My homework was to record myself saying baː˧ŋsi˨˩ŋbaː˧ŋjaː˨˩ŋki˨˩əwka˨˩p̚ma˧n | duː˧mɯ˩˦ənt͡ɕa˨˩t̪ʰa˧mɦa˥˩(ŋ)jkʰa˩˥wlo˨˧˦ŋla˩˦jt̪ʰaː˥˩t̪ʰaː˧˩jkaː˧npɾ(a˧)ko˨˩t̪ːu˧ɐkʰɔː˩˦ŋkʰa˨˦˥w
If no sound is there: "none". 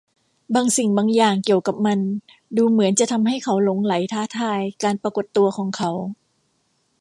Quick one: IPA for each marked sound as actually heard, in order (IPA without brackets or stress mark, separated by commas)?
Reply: none, a˧